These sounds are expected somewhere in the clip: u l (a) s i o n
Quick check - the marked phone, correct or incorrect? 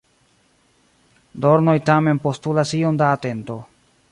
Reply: correct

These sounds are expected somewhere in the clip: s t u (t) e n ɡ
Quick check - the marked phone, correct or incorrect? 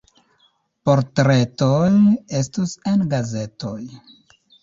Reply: incorrect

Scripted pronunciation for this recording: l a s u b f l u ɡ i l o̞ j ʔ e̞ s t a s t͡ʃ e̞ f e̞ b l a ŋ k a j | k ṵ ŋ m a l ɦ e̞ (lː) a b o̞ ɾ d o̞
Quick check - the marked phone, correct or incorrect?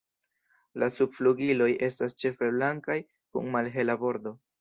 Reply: incorrect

